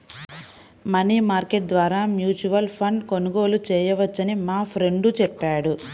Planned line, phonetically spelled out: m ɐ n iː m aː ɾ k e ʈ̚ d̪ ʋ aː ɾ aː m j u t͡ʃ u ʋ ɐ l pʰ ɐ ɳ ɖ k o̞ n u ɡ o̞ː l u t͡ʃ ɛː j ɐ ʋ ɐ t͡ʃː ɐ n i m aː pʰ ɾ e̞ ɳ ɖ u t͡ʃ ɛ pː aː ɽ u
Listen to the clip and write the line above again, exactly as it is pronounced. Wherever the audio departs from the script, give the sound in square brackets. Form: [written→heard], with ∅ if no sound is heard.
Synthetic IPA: m ɐ n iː m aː ɾ k e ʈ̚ d̪ ʋ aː ɾ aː m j [u→uː] t͡ʃ u ʋ ɐ l pʰ ɐ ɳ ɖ k o̞ n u ɡ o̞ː l u t͡ʃ ɛː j ɐ ʋ ɐ t͡ʃː ɐ n i m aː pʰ ɾ e̞ ɳ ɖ u t͡ʃ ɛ pː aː ɽ u